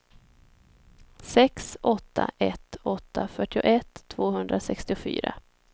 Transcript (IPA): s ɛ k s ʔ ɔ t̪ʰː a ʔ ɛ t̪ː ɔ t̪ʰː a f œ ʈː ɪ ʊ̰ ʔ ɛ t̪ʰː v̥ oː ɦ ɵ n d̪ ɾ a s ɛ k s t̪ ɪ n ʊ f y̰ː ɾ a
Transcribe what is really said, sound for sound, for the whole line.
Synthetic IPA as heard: s ɛ k s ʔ ɔ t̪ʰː a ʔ ɛ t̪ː ɔ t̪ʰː a f œ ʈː ɪ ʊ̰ ʔ ɛ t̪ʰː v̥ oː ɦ ɵ n d̪ ɾ a s ɛ k s t̪ ɪ ʊ f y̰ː ɾ a